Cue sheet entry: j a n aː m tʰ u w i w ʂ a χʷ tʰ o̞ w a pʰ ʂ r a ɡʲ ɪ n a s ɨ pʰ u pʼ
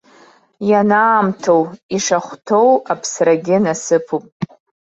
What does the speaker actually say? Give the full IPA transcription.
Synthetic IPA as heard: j a n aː m tʰ o w i ʂ a χʷ tʰ o̞ w a pʰ s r a ɡʲ ɪ n a s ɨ pʰ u pʼ